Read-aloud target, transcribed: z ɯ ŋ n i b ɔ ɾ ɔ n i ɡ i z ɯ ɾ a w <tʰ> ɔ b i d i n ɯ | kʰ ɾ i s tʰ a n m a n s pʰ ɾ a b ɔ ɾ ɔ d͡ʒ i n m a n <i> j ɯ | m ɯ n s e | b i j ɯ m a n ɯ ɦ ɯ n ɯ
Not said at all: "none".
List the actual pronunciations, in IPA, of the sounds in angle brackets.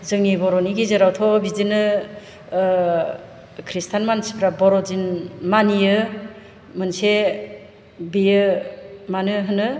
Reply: tʰ, i

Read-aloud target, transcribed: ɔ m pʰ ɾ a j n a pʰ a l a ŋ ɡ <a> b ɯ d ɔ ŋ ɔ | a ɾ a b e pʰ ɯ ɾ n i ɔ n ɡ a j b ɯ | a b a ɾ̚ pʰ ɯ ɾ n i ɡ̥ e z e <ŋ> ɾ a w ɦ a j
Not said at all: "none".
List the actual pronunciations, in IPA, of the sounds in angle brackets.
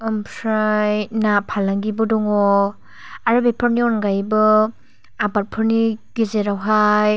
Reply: i, none

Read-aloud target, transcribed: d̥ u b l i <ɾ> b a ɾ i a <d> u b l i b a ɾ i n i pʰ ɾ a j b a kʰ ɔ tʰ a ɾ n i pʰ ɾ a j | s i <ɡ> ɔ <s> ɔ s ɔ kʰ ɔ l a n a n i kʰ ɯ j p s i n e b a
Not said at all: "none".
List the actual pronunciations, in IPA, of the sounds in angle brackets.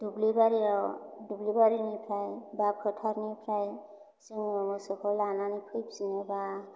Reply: none, d, ŋ, none

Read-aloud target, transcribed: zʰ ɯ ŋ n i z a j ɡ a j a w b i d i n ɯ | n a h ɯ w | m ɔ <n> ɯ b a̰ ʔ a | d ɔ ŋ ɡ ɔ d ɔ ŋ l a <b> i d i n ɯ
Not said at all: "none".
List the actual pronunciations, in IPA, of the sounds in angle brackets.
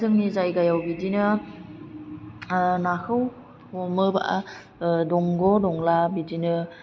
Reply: m, b

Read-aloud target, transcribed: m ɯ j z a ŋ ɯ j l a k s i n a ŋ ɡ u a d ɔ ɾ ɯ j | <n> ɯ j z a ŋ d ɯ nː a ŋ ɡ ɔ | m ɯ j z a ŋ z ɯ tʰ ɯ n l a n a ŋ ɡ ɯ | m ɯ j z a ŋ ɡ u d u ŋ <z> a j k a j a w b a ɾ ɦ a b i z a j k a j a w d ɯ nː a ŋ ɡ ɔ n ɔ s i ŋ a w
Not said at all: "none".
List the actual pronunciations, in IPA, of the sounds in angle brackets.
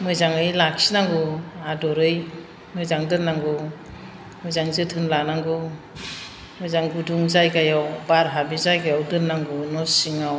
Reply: m, z

